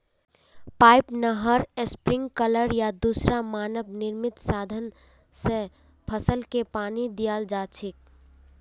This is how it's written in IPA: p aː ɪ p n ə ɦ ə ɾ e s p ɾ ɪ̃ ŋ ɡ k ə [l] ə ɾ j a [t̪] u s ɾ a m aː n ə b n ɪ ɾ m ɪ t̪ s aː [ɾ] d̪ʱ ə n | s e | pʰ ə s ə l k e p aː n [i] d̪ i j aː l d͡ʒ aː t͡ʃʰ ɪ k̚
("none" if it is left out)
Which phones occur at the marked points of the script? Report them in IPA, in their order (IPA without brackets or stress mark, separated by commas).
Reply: l, d̪, none, i